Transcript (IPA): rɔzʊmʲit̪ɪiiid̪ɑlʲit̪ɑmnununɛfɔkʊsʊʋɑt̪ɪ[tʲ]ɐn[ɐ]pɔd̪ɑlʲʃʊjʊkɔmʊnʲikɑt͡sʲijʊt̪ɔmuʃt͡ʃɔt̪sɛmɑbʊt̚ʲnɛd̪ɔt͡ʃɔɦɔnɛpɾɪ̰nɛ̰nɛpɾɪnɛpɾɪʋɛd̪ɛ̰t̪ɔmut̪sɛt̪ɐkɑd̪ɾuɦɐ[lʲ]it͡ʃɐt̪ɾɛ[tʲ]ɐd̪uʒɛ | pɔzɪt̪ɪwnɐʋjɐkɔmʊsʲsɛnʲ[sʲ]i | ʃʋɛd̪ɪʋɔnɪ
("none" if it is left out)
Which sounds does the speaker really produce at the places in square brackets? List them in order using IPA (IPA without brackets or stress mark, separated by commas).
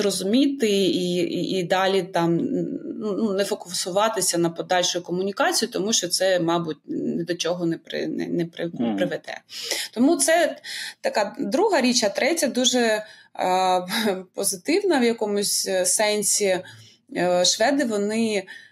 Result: sʲ, ɐ, ɾʲ, tʲ, sʲ